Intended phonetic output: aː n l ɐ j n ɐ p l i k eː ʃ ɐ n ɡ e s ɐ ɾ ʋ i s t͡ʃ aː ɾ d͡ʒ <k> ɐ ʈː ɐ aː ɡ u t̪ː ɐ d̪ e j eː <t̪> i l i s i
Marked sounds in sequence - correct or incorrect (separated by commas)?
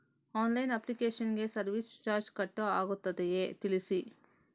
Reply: correct, correct